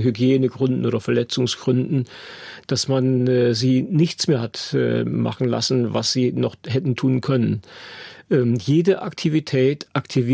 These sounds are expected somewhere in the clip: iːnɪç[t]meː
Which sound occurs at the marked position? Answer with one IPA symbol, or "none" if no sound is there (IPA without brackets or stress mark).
t͡s